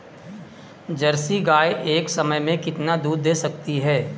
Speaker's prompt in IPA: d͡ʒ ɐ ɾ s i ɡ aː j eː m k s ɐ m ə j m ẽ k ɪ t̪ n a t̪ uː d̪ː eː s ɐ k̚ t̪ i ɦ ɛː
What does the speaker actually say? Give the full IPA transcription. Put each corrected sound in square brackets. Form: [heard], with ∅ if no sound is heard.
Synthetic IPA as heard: d͡ʒ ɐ ɾ s i ɡ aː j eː [∅] k s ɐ m ə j m ẽ k ɪ t̪ n a [d̪] uː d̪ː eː s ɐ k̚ t̪ i ɦ ɛː